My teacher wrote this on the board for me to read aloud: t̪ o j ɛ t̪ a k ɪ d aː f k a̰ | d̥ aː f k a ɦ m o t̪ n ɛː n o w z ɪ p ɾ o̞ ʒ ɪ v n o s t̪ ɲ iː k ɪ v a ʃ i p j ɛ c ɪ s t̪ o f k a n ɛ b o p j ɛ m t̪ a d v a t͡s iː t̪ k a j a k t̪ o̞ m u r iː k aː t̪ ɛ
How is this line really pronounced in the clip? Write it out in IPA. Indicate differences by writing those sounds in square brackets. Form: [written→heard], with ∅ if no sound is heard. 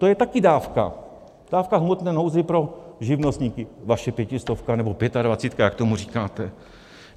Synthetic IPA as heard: t̪ o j ɛ t̪ a k ɪ d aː f k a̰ | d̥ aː f k a ɦ m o t̪ n ɛː n o w z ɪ p ɾ o̞ ʒ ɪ v n o s t̪ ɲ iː k ɪ v a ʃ [i→ɛ] p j ɛ c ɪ s t̪ o f k a n ɛ b o p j ɛ [m→∅] t̪ a d v a t͡s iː t̪ k a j a k t̪ o̞ m u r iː k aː t̪ ɛ